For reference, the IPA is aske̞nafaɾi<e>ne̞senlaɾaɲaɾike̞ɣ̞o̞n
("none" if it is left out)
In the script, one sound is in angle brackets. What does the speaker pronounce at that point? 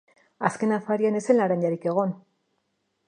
a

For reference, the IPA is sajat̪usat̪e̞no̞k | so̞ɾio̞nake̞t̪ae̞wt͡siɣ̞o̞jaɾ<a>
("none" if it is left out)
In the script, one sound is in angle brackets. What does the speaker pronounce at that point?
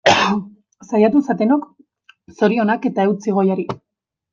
i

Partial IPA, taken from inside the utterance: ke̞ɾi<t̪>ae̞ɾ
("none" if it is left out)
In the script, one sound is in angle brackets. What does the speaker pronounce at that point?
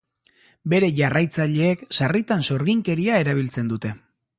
none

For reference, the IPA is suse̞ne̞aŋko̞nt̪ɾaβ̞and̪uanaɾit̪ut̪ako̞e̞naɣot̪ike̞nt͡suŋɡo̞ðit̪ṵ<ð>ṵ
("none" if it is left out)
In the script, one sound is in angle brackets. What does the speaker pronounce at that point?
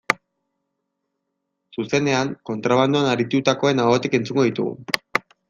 ɣ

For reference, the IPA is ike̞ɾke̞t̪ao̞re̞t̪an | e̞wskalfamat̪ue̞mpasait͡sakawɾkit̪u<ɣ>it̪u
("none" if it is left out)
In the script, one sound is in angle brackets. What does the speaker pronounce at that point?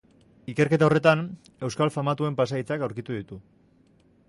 ð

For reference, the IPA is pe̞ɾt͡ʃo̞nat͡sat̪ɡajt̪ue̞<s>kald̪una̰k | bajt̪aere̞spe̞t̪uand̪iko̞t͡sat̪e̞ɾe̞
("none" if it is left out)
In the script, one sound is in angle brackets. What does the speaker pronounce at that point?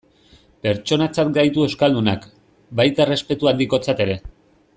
s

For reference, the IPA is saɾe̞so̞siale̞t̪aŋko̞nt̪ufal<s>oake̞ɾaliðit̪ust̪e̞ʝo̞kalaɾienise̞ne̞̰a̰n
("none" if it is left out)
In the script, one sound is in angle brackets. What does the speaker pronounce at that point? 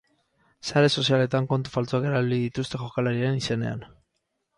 t͡s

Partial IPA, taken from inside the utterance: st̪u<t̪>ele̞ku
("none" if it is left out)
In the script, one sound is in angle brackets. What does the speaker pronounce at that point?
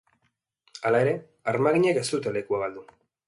t̪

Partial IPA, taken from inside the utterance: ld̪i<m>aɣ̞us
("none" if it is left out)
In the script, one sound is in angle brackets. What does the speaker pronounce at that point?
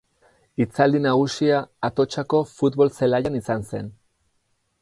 n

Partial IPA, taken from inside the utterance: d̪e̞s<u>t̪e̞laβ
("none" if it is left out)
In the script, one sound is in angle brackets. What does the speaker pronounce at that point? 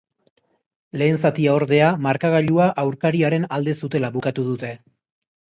u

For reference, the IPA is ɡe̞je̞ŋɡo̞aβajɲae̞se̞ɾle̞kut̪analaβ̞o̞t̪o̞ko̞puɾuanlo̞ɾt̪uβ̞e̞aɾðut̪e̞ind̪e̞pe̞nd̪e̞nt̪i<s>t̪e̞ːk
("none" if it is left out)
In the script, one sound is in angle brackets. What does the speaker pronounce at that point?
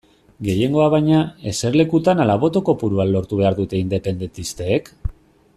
s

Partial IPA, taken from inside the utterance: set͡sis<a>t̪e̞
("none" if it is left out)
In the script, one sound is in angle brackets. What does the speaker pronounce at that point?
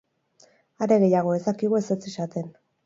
a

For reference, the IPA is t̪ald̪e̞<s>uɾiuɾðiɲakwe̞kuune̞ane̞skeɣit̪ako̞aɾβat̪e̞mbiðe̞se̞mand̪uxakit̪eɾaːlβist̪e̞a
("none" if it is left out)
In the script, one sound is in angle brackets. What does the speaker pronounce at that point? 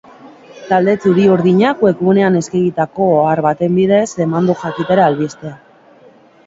t͡s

